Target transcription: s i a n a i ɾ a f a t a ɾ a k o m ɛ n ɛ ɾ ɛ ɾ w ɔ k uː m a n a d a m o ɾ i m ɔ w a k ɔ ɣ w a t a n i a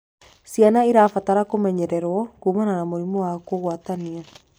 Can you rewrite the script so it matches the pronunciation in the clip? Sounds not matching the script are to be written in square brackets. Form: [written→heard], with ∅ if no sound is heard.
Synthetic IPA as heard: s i a n a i ɾ a f a t a ɾ a k o m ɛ [n→ɲ] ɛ ɾ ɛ ɾ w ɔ k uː m a n a [d→n] a m o ɾ i m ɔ w a k [ɔ→o] ɣ w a t a n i a